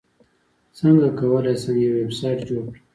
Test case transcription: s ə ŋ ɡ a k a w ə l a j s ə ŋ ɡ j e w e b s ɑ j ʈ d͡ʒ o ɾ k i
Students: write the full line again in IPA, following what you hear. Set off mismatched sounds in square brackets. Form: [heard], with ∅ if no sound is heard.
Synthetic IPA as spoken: s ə ŋ ɡ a k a w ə l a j s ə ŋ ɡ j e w e b s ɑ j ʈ d͡ʒ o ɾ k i

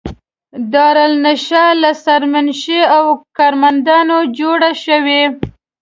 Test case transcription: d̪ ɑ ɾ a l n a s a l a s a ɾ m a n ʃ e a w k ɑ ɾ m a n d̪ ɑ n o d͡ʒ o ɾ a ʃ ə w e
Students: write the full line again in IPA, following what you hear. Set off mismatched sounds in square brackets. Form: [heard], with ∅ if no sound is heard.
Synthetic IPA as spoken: d̪ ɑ ɾ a l n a [ʃ] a l a s a ɾ m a n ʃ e a w k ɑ ɾ m a n d̪ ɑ n o d͡ʒ o [ɽ] a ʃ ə w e

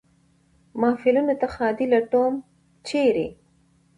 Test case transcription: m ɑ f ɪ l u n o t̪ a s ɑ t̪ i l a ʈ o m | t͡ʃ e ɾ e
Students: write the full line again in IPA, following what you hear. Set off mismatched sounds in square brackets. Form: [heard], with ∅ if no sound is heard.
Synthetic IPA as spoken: m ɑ f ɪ l u n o t̪ a [x] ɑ [d̪] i l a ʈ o m | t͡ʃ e ɾ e

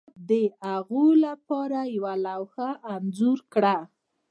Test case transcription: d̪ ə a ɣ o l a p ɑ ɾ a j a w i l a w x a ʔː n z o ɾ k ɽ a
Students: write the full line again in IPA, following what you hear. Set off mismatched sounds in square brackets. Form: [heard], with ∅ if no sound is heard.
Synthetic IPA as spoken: d̪ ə a ɣ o l a p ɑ ɾ a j a w [a] l a w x a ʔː n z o ɾ k ɽ a

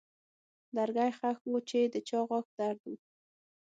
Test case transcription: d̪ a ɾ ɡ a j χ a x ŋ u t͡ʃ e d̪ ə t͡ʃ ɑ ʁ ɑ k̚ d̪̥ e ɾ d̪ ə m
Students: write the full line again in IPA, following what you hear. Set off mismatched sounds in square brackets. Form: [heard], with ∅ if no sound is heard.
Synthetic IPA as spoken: d̪ a ɾ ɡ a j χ a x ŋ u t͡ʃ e d̪ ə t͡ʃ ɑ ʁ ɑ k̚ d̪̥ [a] ɾ d̪ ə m

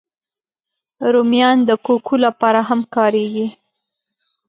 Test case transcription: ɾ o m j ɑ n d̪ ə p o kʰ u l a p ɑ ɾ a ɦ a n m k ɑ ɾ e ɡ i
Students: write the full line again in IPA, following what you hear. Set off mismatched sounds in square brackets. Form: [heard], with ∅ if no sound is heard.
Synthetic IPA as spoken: ɾ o m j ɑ n d̪ ə [k] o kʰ u l a p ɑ ɾ a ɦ a [∅] m k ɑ ɾ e ɡ i

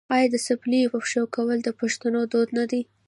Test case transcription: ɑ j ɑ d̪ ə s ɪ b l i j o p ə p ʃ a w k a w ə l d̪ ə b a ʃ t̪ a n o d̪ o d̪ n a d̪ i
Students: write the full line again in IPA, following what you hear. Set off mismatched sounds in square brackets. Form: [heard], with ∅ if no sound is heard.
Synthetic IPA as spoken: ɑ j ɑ d̪ ə s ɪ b l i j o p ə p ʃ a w k a w ə l d̪ ə [p] a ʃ t̪ a n o d̪ o d̪ n a d̪ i

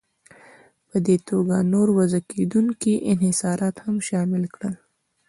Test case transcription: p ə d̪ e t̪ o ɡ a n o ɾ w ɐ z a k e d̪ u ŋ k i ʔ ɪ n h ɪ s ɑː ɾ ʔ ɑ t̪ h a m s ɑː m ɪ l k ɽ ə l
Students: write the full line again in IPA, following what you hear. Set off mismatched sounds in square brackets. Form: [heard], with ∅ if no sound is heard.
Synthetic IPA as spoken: p ə d̪ e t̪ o ɡ a n o ɾ w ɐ z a k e d̪ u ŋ k i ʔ ɪ n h ɪ s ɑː ɾ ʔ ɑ t̪ h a m [ʃ] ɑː m ɪ l k ɽ ə l

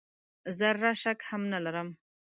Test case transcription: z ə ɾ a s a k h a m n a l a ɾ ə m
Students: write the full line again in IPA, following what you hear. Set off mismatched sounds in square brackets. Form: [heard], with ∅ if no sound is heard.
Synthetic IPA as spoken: z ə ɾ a [ʃ] a k h a m n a l a ɾ ə m

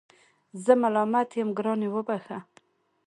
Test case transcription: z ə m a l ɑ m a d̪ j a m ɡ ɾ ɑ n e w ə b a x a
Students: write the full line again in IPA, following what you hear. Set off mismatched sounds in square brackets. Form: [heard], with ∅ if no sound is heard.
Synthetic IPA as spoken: z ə m a l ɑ m a [t̪] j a m ɡ ɾ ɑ n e w ə b a x a

